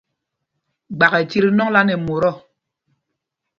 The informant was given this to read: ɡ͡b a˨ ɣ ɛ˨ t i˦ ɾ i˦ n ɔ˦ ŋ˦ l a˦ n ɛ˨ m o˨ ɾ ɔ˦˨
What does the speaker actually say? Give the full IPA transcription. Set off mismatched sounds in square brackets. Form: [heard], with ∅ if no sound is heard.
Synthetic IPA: ɡ͡b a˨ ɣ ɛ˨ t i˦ ɾ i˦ n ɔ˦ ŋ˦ l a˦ n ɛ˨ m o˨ ɾ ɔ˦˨